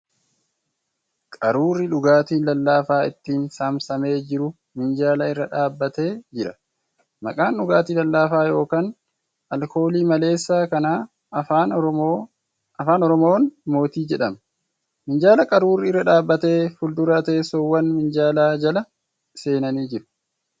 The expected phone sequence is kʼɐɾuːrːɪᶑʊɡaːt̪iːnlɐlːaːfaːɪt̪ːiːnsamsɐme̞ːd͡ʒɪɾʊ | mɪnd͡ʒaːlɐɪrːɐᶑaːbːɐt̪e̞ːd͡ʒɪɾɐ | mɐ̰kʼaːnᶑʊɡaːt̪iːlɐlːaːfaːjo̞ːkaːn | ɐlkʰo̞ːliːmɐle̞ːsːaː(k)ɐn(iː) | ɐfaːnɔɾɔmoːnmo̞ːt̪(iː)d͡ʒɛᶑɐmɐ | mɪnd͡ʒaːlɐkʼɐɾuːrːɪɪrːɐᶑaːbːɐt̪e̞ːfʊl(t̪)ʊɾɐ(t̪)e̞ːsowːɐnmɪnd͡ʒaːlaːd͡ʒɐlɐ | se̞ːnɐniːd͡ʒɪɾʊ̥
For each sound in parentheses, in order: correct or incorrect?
correct, incorrect, correct, incorrect, correct

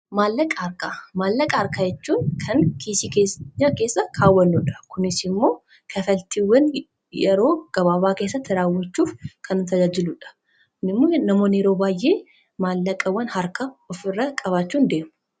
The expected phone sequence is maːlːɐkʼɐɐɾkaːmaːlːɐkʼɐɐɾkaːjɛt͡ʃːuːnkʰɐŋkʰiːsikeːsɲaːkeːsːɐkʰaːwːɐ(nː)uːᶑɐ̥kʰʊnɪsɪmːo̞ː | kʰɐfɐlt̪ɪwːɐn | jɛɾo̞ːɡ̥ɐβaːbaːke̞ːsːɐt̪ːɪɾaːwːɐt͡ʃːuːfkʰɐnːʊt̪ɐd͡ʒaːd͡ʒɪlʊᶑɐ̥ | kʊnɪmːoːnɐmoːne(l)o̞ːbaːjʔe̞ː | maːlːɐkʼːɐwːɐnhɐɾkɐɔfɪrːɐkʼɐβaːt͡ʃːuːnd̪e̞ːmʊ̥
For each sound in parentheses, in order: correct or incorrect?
correct, incorrect

